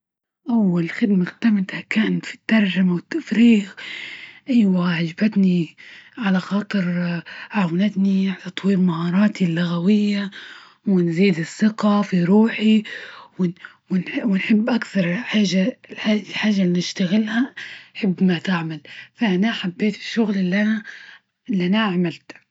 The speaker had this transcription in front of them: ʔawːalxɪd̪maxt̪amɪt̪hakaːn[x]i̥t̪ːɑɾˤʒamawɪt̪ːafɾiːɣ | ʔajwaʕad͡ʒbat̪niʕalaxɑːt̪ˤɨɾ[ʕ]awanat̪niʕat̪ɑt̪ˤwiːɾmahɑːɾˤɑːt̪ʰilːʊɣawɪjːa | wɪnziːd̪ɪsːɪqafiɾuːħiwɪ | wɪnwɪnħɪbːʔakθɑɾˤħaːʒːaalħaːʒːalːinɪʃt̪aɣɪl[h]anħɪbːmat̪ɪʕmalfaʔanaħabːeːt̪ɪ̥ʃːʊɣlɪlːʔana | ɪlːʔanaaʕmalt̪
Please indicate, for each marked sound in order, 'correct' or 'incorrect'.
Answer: incorrect, correct, correct

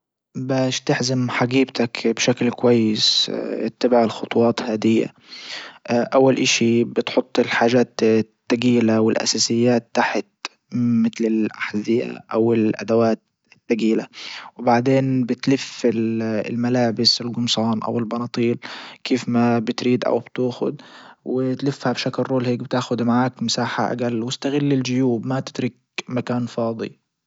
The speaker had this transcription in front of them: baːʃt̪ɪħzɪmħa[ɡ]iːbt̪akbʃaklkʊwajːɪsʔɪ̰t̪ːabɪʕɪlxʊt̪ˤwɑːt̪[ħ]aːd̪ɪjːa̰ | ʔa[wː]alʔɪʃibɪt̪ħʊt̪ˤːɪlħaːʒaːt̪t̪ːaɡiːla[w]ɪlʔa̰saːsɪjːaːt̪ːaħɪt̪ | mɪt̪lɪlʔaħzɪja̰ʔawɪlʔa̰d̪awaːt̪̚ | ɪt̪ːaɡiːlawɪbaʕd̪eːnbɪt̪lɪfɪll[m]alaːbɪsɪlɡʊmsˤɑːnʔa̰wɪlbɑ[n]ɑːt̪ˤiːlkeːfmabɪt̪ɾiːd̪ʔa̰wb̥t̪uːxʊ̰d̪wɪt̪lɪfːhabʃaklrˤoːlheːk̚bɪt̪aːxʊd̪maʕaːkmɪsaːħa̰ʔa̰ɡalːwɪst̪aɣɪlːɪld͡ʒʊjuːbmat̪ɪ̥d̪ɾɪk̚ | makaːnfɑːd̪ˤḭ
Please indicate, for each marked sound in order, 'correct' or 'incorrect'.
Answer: correct, incorrect, correct, correct, correct, correct

